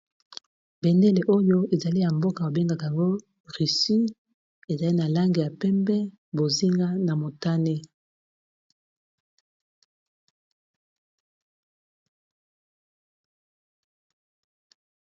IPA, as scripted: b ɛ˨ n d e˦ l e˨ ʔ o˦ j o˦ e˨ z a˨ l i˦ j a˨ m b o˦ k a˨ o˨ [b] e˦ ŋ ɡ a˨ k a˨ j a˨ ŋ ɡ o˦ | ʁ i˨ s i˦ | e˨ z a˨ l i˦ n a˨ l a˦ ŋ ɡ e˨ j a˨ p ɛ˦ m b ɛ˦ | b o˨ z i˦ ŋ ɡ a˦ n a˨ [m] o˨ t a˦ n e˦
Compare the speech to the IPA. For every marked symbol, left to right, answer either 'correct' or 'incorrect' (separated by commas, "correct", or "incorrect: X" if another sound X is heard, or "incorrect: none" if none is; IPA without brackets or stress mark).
correct, correct